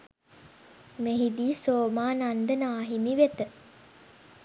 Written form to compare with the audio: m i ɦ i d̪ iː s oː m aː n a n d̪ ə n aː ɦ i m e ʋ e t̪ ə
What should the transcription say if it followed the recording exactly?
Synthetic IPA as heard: m e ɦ i d̪ iː s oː m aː n a n d̪ ə n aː ɦ i m i ʋ e t̪ ə